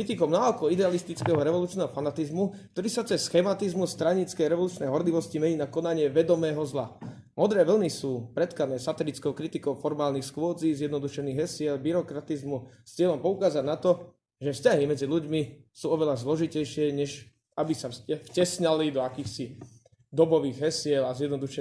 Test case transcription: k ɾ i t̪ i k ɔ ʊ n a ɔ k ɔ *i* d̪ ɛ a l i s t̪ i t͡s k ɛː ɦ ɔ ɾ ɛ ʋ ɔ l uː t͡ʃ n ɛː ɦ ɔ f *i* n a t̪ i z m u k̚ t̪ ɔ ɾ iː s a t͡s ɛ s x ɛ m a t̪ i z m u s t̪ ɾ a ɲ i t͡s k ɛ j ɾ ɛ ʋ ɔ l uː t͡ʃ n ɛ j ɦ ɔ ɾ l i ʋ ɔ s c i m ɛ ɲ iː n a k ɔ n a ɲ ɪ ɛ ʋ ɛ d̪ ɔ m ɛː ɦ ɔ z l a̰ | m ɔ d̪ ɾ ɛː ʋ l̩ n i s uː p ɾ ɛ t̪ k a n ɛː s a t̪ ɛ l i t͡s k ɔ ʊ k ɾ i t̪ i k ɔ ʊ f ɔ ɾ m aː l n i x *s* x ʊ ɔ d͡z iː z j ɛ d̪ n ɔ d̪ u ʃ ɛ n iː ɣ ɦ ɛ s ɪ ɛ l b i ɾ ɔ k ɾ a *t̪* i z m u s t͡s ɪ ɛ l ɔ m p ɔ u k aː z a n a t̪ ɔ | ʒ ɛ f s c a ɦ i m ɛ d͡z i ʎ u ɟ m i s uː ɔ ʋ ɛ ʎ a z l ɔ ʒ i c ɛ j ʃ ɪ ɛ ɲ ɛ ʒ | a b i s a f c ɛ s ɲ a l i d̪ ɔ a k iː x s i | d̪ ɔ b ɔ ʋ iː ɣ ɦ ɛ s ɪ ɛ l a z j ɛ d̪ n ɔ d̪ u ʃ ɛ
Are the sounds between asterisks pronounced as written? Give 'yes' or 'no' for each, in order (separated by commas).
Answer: yes, no, yes, yes